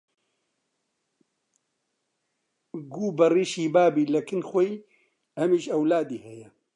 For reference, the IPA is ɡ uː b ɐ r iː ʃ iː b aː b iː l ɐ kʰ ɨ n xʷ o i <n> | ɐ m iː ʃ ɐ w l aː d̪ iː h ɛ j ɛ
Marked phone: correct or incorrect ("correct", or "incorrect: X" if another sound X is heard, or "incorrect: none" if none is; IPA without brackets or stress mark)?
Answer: incorrect: none